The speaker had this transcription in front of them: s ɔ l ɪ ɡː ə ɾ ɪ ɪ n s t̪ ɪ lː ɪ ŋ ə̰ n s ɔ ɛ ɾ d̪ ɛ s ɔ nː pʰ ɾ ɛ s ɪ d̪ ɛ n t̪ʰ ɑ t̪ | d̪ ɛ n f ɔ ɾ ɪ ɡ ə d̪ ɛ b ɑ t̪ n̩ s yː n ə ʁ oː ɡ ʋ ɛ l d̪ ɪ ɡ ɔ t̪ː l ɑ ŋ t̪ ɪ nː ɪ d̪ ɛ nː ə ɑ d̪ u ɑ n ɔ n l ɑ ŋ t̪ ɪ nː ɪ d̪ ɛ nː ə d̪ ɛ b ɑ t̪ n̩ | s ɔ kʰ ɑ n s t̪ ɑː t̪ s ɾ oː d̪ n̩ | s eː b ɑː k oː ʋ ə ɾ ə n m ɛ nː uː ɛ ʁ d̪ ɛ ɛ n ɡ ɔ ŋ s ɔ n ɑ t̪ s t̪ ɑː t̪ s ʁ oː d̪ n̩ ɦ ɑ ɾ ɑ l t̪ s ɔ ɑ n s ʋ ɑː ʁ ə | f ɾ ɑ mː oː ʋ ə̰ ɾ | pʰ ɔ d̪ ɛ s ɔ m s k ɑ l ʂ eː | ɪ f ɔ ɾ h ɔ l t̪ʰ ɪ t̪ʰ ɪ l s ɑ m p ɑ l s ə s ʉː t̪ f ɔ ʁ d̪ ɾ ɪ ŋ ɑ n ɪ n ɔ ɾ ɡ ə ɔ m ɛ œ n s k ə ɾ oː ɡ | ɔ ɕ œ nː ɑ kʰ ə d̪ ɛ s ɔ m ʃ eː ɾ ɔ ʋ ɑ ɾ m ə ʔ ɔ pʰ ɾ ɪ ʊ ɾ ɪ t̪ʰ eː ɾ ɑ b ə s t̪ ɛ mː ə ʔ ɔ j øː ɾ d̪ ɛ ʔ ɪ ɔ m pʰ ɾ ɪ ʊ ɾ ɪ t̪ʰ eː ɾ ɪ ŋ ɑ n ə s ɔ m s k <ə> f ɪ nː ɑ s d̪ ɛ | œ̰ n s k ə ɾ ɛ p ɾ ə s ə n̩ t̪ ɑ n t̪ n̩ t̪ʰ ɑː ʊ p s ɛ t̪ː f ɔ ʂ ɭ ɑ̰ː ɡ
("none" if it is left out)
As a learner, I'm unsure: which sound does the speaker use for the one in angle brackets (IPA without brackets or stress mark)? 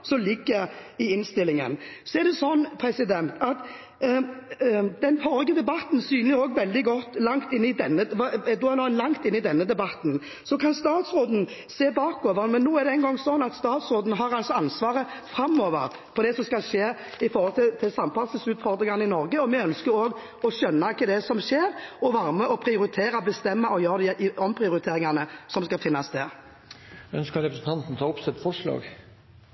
ɑ